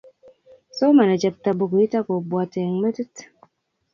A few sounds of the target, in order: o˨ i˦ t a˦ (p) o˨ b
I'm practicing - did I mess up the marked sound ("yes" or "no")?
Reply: yes